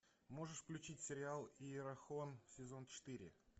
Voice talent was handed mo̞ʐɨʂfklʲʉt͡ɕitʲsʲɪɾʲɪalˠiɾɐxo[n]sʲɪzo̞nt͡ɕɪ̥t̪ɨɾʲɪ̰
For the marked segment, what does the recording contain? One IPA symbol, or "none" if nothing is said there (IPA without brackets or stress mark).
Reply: n